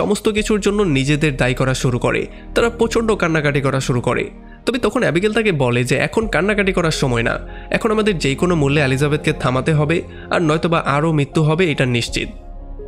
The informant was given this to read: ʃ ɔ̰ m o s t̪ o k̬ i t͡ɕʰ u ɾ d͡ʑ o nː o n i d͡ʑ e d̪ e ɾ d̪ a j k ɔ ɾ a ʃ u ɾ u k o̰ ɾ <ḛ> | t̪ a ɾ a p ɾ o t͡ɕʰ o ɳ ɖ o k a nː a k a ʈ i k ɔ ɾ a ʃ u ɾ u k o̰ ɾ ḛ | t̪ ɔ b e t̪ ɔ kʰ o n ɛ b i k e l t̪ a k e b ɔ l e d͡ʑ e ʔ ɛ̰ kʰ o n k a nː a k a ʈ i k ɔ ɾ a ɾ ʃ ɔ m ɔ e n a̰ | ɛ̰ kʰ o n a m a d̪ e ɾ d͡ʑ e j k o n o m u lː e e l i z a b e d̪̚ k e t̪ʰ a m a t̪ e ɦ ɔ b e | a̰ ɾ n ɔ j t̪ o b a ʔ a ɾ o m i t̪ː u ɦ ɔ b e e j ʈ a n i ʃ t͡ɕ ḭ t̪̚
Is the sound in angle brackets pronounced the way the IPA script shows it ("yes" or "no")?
yes